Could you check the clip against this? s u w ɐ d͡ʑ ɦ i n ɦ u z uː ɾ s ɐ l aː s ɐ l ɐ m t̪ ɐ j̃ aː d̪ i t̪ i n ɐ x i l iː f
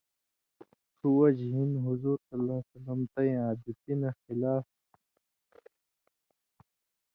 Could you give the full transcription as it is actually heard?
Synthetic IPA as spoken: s u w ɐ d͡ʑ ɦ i n ɦ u z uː ɾ s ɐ l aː s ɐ l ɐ m t̪ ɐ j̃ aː d̪ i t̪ i n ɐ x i l aː f

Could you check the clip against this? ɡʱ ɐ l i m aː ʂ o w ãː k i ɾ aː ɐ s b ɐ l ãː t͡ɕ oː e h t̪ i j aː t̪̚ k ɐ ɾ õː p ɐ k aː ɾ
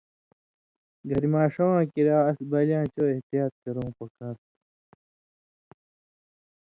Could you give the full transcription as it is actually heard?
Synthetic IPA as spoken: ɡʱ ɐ ɾ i m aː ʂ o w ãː k i ɾ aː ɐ s b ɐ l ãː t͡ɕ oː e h t̪ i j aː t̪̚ k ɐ ɾ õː p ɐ k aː ɾ

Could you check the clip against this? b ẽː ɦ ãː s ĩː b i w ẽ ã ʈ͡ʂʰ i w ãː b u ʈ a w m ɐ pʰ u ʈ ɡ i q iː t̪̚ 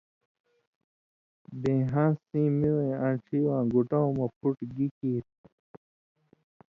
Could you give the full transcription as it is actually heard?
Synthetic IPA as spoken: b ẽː ɦ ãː s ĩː m i w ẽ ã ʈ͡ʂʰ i w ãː ɡ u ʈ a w m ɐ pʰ u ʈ ɡ i k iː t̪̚

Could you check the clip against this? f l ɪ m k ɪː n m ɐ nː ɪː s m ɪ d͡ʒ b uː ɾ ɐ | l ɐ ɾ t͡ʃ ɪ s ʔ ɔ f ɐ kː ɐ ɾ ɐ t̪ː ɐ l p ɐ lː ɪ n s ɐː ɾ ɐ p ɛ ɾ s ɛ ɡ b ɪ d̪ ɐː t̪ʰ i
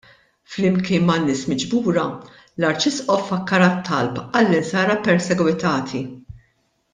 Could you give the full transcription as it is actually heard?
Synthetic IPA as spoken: f l ɪ m k ɪː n m ɐ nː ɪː s m ɪ d͡ʒ b uː ɾ ɐ | l ɐ ɾ t͡ʃ ɪ s ʔ ɔ f ɐ kː ɐ ɾ ɐ t̪ː ɐ l p ɐ lː ɪ n s ɐː ɾ ɐ p ɛ ɾ s ɛ ɡ w ɪ t̪ ɐː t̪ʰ i

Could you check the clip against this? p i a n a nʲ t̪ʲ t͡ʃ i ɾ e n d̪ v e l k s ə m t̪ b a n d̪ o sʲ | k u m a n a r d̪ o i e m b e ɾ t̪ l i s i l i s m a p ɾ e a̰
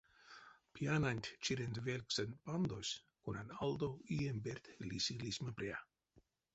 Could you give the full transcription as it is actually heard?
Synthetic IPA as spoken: p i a n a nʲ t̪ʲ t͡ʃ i ɾ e n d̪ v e l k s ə n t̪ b a n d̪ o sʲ | k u n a n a l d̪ o i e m b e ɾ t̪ l i s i l i s m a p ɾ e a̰

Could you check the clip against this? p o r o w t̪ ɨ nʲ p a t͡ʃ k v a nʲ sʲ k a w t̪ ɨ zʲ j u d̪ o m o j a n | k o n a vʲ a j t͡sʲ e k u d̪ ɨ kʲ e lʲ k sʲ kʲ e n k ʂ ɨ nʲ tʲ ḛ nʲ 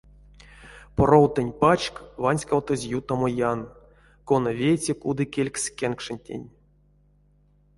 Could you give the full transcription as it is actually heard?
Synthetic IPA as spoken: p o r o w t̪ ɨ nʲ p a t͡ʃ k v a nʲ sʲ k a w t̪ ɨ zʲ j u t̪ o m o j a n | k o n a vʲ e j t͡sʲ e k u d̪ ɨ kʲ e lʲ k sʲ kʲ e n k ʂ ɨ nʲ tʲ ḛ nʲ

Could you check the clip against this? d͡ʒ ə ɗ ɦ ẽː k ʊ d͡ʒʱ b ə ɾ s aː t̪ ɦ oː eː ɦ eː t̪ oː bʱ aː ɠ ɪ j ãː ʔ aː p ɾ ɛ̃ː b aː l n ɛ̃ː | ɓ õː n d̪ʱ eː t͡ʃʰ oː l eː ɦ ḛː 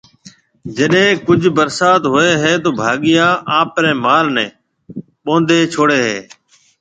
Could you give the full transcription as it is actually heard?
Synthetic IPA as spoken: d͡ʒ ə ɗ ɦ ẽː k ʊ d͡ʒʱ b ə ɾ s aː t̪ ɦ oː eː ɦ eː t̪ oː bʱ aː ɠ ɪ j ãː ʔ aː p ɾ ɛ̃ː m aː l n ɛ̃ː | ɓ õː n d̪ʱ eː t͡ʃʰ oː ɽ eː ɦ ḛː

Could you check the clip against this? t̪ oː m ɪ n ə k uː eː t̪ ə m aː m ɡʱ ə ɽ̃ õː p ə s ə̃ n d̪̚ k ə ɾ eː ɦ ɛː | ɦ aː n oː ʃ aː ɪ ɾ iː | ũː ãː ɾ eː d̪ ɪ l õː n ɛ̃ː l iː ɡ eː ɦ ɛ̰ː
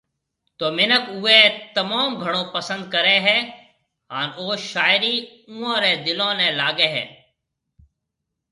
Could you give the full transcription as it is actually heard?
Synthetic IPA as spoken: t̪ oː m ɪ n ə k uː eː t̪ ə m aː m ɡʱ ə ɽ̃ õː p ə s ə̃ n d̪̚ k ə ɾ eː ɦ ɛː | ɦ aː n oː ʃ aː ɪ ɾ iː | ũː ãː ɾ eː d̪ ɪ l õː n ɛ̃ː l aː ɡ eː ɦ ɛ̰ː

